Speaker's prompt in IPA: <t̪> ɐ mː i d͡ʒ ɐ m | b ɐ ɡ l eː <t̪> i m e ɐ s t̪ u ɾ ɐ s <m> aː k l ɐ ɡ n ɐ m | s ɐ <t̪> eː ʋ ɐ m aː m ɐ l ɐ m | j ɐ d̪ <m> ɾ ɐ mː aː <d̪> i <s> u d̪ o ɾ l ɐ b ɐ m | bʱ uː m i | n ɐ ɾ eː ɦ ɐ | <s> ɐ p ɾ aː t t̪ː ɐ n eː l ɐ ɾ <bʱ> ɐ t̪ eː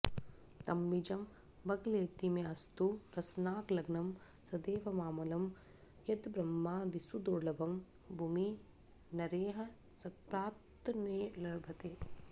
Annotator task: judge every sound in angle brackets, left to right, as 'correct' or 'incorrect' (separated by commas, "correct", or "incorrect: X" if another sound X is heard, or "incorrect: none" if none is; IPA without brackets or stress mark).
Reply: correct, correct, incorrect: n, incorrect: d̪, incorrect: b, correct, correct, correct, correct